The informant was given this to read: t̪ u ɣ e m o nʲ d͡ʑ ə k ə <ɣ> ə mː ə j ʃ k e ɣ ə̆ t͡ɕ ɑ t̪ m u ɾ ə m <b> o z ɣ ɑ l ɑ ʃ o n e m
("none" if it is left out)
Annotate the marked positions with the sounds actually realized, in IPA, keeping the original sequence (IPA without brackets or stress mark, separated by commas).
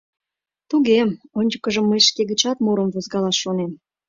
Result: ʒ, v